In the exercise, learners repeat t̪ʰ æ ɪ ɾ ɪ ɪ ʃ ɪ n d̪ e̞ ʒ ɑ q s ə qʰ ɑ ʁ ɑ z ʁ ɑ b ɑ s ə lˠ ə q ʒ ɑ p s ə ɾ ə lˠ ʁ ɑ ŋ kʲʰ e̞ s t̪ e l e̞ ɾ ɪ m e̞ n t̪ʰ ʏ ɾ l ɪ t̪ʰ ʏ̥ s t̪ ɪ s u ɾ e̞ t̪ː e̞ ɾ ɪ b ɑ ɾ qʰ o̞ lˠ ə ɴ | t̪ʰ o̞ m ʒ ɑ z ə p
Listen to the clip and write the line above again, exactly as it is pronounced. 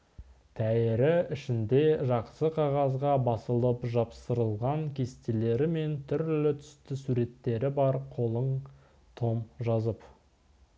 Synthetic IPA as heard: t̪ʰ æ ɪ ɾ ɪ ɪ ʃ ɪ n d̪ e̞ ʒ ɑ q s ə qʰ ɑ ʁ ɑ z ʁ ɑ b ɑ s ə lˠ ə p ʒ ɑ p s ə ɾ ə lˠ ʁ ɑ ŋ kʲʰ e̞ s t̪ e l e̞ ɾ ɪ m e̞ n t̪ʰ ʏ ɾ l ɪ t̪ʰ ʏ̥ s t̪ ɪ s u ɾ e̞ t̪ː e̞ ɾ ɪ b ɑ ɾ qʰ o̞ lˠ ə ɴ | t̪ʰ o̞ m ʒ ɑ z ə p